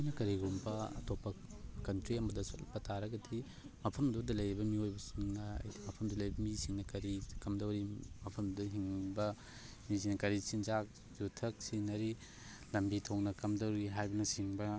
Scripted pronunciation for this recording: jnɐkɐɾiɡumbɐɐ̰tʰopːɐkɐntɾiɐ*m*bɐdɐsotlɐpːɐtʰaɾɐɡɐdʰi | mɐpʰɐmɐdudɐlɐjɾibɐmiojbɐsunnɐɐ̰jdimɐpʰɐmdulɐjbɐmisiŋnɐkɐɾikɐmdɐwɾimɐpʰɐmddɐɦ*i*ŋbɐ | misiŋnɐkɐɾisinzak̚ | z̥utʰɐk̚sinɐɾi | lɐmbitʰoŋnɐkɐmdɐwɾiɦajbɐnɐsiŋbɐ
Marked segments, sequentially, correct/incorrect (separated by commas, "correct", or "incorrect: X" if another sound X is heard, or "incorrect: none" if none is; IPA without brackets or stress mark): correct, correct